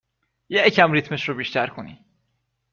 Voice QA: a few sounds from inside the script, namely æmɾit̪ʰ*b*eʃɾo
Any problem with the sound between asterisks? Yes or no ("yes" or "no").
yes